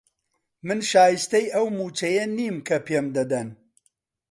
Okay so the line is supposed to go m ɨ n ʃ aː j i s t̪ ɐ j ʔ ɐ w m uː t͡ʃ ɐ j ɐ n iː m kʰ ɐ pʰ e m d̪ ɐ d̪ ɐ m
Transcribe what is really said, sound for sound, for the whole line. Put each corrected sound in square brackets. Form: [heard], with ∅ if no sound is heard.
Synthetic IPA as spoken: m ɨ n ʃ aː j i s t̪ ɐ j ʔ ɐ w m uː t͡ʃ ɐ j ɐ n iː m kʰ ɐ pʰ e m d̪ ɐ d̪ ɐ [n]

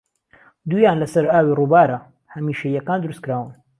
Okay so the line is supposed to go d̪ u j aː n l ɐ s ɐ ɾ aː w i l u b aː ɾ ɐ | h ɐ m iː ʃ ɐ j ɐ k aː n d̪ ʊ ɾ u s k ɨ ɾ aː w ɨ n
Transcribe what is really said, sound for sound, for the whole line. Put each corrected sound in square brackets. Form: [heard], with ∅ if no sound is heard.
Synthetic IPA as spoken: d̪ u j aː n l ɐ s ɐ ɾ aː w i [r] u b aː ɾ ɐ | h ɐ m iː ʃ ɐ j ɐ k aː n d̪ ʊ ɾ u s k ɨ ɾ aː w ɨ n

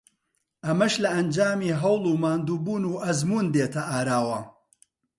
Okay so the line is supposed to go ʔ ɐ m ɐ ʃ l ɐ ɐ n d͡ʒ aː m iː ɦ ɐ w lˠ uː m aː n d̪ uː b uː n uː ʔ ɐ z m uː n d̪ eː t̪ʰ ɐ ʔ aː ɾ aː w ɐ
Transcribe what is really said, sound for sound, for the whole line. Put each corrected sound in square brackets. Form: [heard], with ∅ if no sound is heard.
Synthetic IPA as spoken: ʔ ɐ m ɐ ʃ l ɐ ɐ n d͡ʒ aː m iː ɦ ɐ w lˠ uː m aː n d̪ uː b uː n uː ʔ ɐ z m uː n d̪ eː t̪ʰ ɐ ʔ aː ɾ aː w ɐ

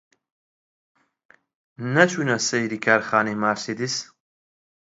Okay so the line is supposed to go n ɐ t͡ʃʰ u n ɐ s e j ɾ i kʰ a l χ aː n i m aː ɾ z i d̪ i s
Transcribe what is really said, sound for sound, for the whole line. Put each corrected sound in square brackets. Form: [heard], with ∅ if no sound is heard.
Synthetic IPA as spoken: n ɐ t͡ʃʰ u n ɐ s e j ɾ i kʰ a [ɾ] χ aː n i m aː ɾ [s] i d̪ i s

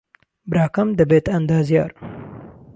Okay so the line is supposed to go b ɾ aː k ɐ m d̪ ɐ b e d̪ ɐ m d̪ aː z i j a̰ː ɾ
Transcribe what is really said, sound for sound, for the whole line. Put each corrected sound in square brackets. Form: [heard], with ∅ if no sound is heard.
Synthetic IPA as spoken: b ɾ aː k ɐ m d̪ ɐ b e [t̪] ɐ [n] d̪ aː z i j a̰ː ɾ

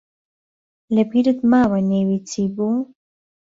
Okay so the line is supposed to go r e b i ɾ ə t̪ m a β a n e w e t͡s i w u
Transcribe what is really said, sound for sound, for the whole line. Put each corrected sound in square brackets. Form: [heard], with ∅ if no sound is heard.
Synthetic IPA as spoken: [l] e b i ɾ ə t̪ m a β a n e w [i] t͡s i [b] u

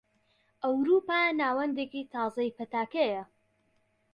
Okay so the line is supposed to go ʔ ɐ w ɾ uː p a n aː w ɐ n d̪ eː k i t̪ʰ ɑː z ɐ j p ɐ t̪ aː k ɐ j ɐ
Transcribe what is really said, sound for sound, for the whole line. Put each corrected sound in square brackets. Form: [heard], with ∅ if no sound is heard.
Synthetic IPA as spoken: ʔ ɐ w ɾ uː p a n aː w ɐ n d̪ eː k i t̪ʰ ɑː z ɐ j p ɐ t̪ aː k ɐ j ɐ

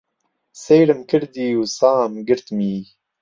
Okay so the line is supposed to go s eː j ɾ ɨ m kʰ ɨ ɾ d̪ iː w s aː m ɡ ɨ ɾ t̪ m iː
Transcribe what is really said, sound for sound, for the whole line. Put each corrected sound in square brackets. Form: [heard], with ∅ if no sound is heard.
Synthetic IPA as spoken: s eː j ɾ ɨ m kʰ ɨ ɾ d̪ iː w s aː m ɡ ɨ ɾ t̪ m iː

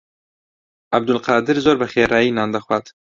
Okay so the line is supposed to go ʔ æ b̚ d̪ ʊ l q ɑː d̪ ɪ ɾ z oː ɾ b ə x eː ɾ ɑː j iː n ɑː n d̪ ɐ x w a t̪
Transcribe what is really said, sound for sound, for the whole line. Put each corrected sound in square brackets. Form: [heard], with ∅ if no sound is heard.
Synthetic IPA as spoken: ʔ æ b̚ d̪ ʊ l q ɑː d̪ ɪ ɾ z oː ɾ b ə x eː ɾ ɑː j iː n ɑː n d̪ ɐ x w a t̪

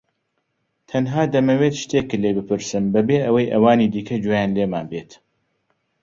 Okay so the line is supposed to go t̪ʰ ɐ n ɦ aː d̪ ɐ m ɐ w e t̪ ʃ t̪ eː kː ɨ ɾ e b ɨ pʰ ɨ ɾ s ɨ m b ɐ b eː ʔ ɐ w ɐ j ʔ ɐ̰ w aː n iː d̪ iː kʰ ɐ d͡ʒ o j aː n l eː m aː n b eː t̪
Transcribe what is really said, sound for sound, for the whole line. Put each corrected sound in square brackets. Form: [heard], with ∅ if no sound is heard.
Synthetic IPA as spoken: t̪ʰ ɐ n ɦ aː d̪ ɐ m ɐ w e t̪ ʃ t̪ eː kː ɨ [l] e b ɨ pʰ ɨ ɾ s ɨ m b ɐ b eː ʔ ɐ w ɐ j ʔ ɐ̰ w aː n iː d̪ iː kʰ ɐ d͡ʒ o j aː n l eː m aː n b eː t̪

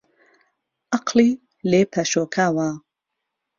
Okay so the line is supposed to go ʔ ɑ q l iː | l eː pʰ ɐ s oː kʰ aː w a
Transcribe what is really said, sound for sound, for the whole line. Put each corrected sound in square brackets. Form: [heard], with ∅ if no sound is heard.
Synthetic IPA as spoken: ʔ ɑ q l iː | l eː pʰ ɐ [ʃ] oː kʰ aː w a

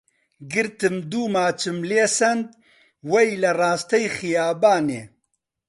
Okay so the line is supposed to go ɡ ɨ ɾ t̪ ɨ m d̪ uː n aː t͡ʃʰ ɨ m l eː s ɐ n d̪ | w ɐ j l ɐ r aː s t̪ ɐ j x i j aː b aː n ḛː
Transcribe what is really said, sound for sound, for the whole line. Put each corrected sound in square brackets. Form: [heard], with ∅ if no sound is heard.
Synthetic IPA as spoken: ɡ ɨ ɾ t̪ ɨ m d̪ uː [m] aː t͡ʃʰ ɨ m l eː s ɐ n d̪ | w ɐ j l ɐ r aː s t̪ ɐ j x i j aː b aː n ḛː

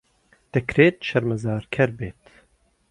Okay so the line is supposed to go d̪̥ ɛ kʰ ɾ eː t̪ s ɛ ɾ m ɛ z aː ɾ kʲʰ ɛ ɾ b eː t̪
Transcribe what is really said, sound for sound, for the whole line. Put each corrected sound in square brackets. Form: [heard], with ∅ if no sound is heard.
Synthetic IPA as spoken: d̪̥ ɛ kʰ ɾ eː t̪ [ʃ] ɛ ɾ m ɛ z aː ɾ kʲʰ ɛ ɾ b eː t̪

